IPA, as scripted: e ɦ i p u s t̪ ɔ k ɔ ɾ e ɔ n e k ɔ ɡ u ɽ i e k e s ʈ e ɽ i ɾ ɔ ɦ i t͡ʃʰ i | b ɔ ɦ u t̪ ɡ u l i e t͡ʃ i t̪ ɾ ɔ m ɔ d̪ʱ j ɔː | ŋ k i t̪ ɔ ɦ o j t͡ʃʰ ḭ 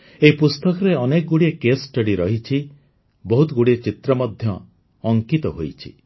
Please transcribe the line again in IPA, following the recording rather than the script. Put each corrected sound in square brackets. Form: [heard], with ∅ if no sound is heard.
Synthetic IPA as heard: e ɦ i p u s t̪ ɔ k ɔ ɾ e ɔ n e k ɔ ɡ u ɽ i e k e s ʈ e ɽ i ɾ ɔ ɦ i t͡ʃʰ i | b ɔ ɦ u t̪ ɡ u [ɽ] i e t͡ʃ i t̪ ɾ ɔ m ɔ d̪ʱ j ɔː | ŋ k i t̪ ɔ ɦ o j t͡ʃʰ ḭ